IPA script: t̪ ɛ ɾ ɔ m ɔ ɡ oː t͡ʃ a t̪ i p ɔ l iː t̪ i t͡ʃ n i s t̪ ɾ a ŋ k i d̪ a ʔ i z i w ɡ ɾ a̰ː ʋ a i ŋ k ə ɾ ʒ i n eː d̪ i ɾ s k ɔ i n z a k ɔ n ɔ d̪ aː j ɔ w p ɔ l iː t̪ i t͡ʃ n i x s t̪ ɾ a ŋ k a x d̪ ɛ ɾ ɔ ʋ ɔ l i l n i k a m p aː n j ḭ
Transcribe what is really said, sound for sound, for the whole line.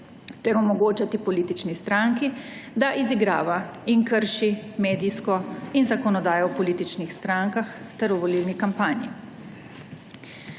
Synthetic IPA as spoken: t̪ ɛ ɾ ɔ m ɔ ɡ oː t͡ʃ a t̪ i p ɔ l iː t̪ i t͡ʃ n i s t̪ ɾ a ŋ k i d̪ a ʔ i z i ɡ ɾ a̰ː ʋ a i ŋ k ə ɾ ʃ i m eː d̪ i s k ɔ i n z a k ɔ n ɔ d̪ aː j ɔ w p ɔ l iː t̪ i t͡ʃ n i x s t̪ ɾ a ŋ k a x t̪ ɛ ɾ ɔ ʋ ɔ l i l n i k a m p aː n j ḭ